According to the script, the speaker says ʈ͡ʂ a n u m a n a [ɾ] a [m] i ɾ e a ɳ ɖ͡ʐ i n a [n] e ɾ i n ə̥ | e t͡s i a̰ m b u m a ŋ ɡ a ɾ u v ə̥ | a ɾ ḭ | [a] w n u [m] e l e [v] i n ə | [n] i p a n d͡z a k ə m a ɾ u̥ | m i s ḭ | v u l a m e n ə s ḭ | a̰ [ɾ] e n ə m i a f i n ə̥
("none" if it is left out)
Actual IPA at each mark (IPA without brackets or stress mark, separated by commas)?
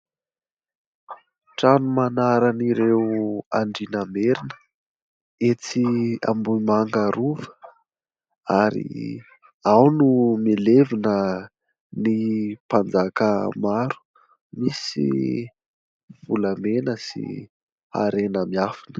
ɾ, n, m, a, m, v, n, ɾ